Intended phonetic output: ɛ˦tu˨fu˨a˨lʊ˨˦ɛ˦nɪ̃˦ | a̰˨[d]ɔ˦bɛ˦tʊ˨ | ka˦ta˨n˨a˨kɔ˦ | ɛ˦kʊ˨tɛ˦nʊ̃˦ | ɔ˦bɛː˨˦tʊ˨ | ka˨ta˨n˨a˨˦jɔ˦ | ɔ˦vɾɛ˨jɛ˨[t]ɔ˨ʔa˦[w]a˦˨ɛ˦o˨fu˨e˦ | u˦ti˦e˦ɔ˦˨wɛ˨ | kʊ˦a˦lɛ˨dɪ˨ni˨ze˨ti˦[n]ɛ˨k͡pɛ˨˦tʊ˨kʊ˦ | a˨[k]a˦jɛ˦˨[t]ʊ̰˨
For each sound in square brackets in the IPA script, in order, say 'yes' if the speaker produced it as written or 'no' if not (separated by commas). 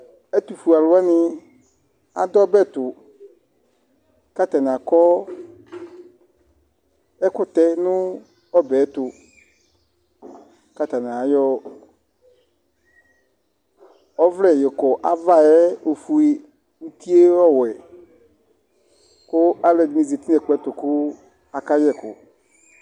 yes, no, no, yes, yes, no